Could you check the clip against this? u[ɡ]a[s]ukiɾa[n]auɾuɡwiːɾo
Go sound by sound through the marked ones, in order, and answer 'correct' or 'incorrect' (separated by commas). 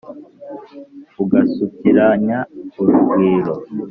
correct, correct, incorrect